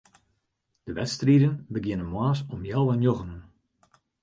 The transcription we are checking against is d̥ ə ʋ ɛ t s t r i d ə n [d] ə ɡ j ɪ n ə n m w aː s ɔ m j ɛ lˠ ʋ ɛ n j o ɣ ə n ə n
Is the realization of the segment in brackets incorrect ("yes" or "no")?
yes